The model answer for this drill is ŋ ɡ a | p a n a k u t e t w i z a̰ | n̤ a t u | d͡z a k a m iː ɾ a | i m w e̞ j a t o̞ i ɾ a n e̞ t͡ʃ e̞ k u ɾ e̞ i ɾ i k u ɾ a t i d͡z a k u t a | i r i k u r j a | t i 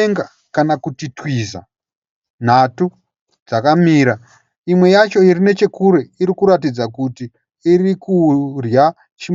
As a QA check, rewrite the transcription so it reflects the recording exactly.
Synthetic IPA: ŋ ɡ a | k a n a k u t i t w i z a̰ | n̤ a t u | d͡z a k a m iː ɾ a | i m w e̞ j a t͡ʃ o̞ i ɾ i n e̞ t͡ʃ e̞ k u ɾ e̞ i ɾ i k u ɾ a t i d͡z a k u t i | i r i k u r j a | t͡ʃ i